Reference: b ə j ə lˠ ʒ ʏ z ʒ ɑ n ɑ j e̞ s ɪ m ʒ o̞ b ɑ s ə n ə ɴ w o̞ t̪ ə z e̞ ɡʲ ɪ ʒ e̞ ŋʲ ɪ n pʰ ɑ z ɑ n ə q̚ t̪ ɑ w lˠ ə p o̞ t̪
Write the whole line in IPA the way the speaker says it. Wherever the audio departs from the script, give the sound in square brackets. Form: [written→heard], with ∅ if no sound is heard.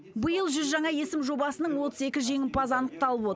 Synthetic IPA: b ə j ə lˠ ʒ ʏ z ʒ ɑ [n→ɴ] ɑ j e̞ s ɪ m ʒ o̞ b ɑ s ə n ə ɴ w o̞ t̪ ə z e̞ [ɡʲ→kʲ] ɪ ʒ e̞ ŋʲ ɪ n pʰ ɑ z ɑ n ə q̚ t̪ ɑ [w→∅] lˠ ə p o̞ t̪